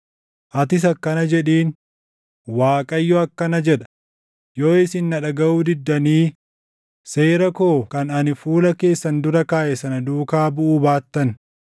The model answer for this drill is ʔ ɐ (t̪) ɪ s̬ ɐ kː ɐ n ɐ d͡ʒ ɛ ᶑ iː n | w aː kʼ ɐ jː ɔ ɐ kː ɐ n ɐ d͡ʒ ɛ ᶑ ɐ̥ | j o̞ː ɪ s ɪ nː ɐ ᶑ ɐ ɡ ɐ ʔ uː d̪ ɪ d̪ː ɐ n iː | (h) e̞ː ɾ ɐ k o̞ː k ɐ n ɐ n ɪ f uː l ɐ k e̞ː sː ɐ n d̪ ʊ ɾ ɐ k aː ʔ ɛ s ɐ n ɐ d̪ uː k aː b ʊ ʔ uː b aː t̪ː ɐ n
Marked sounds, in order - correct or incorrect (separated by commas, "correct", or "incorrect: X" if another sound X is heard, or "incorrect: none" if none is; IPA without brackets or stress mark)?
correct, incorrect: s